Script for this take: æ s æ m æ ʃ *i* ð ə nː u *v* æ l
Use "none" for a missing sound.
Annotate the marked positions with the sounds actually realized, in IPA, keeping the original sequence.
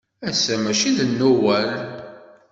i, w

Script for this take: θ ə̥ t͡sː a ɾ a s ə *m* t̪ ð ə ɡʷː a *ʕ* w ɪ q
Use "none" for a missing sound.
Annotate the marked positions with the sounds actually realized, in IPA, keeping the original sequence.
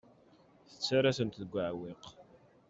n, ʕ

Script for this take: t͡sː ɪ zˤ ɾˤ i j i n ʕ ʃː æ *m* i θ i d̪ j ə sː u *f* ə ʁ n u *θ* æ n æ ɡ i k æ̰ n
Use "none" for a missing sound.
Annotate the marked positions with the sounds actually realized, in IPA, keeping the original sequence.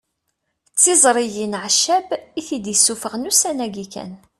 b, f, s

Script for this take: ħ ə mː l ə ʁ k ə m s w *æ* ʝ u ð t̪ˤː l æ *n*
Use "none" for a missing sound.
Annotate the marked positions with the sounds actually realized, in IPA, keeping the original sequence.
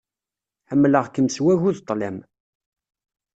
æ, m

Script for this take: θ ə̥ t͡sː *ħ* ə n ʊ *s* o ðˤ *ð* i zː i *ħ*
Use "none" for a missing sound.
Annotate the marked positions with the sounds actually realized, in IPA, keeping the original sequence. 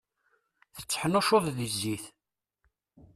ħ, ʃ, ð, θ

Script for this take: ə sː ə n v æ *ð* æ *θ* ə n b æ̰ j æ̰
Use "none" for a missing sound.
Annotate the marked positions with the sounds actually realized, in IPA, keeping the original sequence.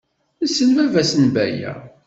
v, s

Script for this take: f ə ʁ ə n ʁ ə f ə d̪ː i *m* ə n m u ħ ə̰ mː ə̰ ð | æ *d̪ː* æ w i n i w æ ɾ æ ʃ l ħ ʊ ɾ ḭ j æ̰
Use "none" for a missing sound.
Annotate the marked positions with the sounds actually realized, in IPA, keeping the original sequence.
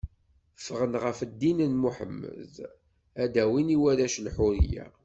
n, d̪

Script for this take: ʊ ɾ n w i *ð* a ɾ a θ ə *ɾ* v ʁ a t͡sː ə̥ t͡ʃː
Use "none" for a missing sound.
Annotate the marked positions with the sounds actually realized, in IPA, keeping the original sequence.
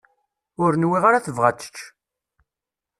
ʁ, none

